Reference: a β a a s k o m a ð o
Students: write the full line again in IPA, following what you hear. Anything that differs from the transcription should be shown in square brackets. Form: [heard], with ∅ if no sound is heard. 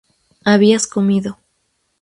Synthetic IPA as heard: a β [i] a s k o m [i] ð o